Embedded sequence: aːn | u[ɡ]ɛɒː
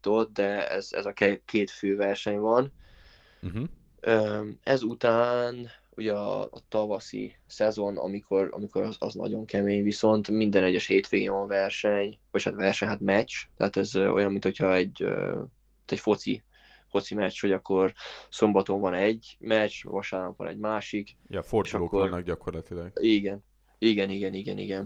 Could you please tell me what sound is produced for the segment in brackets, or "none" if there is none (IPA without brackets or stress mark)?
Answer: ɟ